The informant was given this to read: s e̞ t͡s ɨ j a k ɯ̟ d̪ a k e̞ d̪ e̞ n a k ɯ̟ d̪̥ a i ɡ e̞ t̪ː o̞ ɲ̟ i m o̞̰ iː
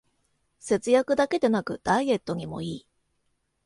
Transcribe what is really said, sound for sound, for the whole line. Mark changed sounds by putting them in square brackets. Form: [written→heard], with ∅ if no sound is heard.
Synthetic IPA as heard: s e̞ t͡s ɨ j a k ɯ̟ d̪ a k e̞ d̪ e̞ n a k ɯ̟ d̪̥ a i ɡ e̞ t̪ː o̞ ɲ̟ i m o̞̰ iː